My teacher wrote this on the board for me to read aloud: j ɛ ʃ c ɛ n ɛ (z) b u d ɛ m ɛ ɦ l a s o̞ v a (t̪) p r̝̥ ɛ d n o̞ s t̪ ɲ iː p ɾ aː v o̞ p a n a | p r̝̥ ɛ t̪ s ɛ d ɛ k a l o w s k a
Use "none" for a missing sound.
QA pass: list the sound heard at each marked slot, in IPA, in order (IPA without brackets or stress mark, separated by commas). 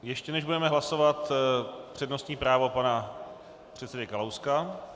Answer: ʒ, t̪